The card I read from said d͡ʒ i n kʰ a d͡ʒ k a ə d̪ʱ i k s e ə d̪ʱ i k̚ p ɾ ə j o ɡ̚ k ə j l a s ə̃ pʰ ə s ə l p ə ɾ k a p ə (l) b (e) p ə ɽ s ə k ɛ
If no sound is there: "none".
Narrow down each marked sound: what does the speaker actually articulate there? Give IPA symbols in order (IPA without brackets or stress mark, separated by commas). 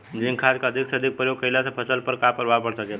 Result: ɾ, a